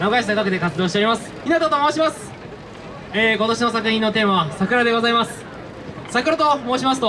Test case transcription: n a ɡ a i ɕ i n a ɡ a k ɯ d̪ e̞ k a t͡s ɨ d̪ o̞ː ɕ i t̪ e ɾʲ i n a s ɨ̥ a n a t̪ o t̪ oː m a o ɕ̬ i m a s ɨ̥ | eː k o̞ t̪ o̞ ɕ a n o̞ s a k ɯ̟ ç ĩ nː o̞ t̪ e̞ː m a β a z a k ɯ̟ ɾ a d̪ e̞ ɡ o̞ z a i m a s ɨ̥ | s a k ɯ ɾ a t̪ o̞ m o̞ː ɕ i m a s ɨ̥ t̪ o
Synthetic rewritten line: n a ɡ a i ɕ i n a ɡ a k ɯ d̪ e̞ k a t͡s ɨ d̪ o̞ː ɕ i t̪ e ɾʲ i m a s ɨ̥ i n a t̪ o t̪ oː m a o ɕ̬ i m a s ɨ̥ | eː k o̞ t̪ o̞ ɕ i n o̞ s a k ɯ̟ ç ĩ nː o̞ t̪ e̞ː m a β a s a k ɯ̟ ɾ a d̪ e̞ ɡ o̞ z a i m a s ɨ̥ | s a k ɯ ɾ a t̪ o̞ m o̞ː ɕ i m a s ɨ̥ t̪ o